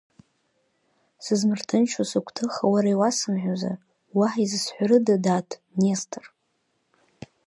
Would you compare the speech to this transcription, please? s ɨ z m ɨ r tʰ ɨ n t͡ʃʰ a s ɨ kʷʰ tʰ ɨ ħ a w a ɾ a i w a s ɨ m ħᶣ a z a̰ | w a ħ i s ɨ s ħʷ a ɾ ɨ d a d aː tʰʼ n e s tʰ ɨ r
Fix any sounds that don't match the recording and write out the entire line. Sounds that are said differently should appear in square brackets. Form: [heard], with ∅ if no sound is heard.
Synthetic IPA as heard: s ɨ z m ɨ r tʰ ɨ n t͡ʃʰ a s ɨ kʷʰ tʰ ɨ [χ] a w a ɾ a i w a s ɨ m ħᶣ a z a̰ | w a ħ i [z] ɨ s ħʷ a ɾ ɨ d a d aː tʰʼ n e s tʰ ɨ r